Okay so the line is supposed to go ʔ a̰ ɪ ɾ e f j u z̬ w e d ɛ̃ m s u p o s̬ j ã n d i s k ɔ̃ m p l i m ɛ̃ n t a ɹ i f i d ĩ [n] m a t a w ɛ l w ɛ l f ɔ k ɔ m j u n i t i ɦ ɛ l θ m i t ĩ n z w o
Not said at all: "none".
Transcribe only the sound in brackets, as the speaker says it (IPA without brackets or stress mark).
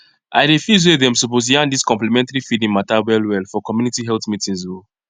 n